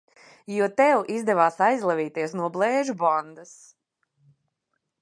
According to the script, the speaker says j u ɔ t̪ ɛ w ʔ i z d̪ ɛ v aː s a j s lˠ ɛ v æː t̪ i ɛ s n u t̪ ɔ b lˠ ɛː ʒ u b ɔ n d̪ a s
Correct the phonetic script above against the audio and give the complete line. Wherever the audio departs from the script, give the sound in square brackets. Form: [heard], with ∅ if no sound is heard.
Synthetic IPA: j u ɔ t̪ ɛ w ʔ i z d̪ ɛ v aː s a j [z] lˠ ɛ v [iː] t̪ i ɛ s n u [∅] ɔ b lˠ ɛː ʒ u b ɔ n d̪ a s